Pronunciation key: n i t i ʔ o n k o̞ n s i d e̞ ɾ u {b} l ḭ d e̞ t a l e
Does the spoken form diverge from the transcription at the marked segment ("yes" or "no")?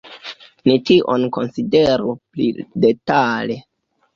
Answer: yes